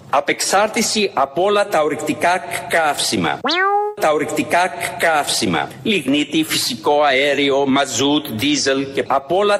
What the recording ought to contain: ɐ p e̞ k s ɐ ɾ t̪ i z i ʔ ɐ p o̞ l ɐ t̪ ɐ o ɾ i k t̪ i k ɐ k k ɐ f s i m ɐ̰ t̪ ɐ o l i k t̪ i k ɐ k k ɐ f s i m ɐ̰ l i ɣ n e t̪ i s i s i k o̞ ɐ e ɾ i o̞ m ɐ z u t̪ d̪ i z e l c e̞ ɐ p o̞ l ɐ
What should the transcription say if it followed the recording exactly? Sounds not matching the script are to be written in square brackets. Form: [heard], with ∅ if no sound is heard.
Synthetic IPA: ɐ p e̞ k s ɐ ɾ t̪ i [s] i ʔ ɐ p o̞ l ɐ t̪ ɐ o ɾ i k t̪ i k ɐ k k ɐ f s i m ɐ̰ t̪ ɐ o [ɾ] i k t̪ i k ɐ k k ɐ f s i m ɐ̰ l i ɣ n [i] t̪ i [f] i s i k o̞ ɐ e ɾ i o̞ m ɐ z u t̪ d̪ i z e l c e̞ ɐ p o̞ l ɐ